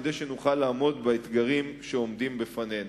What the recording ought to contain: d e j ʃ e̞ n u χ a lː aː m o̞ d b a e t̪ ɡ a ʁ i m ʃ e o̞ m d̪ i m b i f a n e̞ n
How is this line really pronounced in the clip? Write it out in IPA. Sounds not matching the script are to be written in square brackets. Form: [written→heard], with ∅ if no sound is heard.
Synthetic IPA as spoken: d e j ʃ e̞ n u χ a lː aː m o̞ d b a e t̪ ɡ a ʁ i m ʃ e o̞ m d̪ i m b [i→e] f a n e̞ n